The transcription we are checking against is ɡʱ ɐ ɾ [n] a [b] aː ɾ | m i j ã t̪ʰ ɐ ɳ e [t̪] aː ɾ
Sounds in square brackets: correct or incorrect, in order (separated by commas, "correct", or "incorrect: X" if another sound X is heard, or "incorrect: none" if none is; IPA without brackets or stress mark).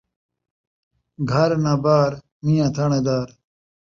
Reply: correct, correct, incorrect: d̪